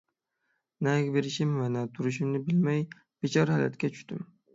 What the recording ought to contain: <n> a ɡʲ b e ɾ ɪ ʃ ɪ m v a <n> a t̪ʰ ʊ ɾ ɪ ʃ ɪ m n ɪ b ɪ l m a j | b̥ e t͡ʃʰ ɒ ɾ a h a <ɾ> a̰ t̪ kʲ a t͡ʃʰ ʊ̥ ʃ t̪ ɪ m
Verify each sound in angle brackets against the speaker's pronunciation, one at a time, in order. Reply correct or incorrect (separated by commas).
correct, correct, incorrect